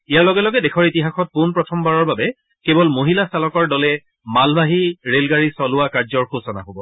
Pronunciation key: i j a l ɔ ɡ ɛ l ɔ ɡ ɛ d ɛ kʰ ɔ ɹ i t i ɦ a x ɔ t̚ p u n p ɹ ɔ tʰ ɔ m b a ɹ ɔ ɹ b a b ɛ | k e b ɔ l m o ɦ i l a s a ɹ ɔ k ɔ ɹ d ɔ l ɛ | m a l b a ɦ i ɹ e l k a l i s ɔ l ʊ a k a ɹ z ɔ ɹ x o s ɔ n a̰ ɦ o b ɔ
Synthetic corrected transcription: i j a l ɔ ɡ ɛ l ɔ ɡ ɛ d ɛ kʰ ɔ ɹ i t i ɦ a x ɔ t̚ p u n p ɹ ɔ tʰ ɔ m b a ɹ ɔ ɹ b a b ɛ | k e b ɔ l m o ɦ i l a s a l ɔ k ɔ ɹ d ɔ l ɛ | m a l b a ɦ i ɹ e l ɡ a ɹ i s ɔ l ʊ a k a ɹ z ɔ ɹ x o s ɔ n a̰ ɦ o b ɔ